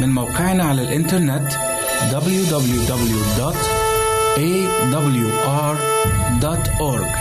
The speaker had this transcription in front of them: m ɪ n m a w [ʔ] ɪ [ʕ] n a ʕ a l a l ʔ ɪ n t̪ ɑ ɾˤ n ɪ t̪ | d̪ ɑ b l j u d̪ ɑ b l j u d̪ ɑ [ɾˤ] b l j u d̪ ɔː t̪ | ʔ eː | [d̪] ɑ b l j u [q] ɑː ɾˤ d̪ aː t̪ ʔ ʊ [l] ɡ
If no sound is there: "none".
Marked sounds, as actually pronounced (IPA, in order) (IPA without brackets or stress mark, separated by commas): q, ʕ, none, d̪, ʔ, ɾ